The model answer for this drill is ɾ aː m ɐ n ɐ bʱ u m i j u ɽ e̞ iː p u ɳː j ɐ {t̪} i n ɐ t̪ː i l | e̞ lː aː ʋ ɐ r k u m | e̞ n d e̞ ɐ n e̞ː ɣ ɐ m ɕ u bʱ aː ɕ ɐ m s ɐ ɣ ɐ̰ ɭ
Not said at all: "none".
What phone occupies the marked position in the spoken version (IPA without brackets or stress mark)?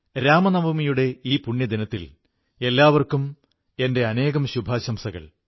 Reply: d̪